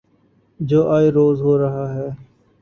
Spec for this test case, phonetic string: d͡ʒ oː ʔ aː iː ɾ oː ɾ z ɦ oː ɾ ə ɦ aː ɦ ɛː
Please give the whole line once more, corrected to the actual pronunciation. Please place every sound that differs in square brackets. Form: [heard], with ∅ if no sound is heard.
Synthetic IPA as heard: d͡ʒ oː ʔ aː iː ɾ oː [∅] z ɦ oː ɾ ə ɦ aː ɦ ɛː